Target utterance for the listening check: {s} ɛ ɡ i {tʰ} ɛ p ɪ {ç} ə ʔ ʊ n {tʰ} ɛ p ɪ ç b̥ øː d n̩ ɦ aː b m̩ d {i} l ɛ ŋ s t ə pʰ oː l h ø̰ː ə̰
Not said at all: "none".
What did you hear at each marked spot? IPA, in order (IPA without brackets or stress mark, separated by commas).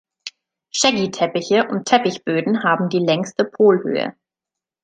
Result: ʃ, tʰ, ç, tʰ, iː